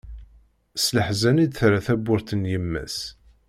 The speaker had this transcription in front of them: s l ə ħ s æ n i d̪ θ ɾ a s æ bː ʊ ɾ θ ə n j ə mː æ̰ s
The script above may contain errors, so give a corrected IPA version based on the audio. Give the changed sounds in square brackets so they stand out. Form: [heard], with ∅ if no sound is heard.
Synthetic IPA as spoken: s l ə ħ [z] æ n i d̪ θ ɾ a [θ] æ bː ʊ ɾ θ ə n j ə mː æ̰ s